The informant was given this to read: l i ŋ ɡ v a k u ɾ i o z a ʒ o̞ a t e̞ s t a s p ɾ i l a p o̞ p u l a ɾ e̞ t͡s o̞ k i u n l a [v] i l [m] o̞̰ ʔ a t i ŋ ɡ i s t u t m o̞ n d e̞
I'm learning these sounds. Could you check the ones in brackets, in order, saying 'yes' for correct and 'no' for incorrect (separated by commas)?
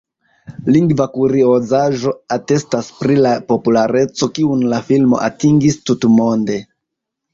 no, yes